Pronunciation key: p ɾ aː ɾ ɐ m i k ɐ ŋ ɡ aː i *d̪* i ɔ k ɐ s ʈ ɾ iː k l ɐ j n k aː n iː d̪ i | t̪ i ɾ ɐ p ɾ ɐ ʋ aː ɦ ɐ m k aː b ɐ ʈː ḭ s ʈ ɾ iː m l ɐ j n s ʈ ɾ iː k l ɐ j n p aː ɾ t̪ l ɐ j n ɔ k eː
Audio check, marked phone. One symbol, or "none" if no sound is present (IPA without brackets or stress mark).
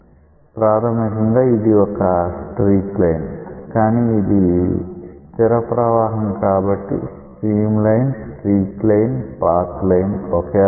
d̪